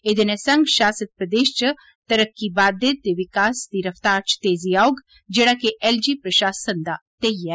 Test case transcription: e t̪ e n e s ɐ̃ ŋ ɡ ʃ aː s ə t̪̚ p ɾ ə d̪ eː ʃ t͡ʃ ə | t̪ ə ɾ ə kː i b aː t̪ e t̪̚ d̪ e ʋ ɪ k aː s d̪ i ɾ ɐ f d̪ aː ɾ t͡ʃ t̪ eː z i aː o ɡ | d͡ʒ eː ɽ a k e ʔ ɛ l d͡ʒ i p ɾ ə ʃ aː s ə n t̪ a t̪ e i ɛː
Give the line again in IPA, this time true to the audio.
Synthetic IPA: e d̪ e n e s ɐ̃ ŋ ɡ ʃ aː s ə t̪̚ p ɾ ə d̪ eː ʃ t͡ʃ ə | t̪ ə ɾ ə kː i b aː d̪ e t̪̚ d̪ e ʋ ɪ k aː s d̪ i ɾ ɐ f t̪ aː ɾ t͡ʃ t̪ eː z i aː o ɡ | d͡ʒ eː ɽ a k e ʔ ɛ l d͡ʒ i p ɾ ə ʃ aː s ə n d̪ a t̪ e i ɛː